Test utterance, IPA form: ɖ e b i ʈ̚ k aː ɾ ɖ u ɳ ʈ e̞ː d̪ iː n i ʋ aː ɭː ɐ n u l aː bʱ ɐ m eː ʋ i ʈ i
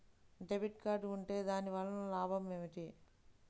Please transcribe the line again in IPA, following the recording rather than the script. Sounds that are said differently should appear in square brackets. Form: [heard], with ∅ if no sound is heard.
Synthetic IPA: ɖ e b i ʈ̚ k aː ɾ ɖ u ɳ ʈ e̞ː d̪ [aː] n i ʋ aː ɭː ɐ n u l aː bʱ ɐ m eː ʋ i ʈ i